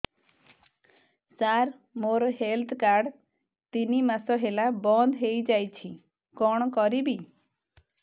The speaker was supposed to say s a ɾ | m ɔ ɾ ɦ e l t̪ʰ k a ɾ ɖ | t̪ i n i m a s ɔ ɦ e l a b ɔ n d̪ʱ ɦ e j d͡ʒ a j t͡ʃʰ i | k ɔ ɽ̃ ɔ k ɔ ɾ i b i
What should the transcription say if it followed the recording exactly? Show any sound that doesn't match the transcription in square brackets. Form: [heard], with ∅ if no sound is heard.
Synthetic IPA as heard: s a ɾ | m [o] ɾ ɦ e l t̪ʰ k a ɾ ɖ | t̪ i n i m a s ɔ ɦ e l a b ɔ n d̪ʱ ɦ e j d͡ʒ a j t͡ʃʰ i | k ɔ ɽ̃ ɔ k ɔ ɾ i b i